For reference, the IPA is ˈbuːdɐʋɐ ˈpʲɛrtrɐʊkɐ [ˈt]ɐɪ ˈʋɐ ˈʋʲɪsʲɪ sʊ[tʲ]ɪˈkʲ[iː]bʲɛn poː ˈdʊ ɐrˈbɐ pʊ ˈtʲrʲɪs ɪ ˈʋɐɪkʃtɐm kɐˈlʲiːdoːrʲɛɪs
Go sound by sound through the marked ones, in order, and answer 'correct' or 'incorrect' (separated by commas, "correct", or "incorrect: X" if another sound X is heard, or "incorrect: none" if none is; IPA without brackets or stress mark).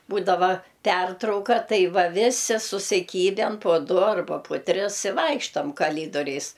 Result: correct, incorrect: sʲ, correct